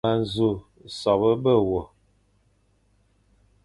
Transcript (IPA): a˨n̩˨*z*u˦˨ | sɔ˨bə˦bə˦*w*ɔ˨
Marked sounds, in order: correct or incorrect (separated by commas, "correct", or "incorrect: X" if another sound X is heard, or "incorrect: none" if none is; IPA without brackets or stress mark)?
correct, correct